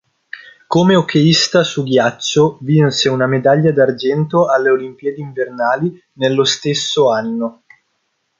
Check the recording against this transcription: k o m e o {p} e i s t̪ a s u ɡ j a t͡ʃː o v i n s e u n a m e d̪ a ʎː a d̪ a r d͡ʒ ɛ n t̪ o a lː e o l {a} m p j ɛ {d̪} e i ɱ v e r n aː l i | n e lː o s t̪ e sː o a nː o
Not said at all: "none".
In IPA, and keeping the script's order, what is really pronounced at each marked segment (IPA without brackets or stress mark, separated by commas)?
k, i, d̪